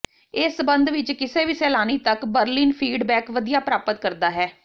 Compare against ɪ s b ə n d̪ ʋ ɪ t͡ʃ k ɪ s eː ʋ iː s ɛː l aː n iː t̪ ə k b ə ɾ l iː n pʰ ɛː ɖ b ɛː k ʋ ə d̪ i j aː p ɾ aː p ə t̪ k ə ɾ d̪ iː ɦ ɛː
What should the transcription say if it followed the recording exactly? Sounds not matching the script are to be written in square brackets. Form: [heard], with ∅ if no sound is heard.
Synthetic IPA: ɪ s b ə n d̪ ʋ ɪ t͡ʃ k ɪ s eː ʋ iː s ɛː l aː n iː t̪ ə k b ə ɾ l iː n pʰ [iː] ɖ b ɛː k ʋ ə d̪ i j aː p ɾ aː p ə t̪ k ə ɾ d̪ [aː] ɦ ɛː